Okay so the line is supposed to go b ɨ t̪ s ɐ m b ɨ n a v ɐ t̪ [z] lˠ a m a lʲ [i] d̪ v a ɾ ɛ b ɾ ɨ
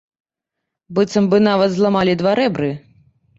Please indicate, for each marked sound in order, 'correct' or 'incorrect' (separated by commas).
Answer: correct, correct